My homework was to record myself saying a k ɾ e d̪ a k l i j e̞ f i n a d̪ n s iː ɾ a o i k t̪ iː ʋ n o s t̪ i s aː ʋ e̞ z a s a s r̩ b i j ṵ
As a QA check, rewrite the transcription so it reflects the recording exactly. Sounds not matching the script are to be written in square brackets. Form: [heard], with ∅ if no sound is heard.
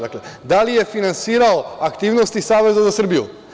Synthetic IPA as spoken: a k [l] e d̪ a [∅] l i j e̞ f i n a [∅] n s iː ɾ a o [a] k t̪ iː ʋ n o s t̪ i s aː ʋ e̞ z a [z] a s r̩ b i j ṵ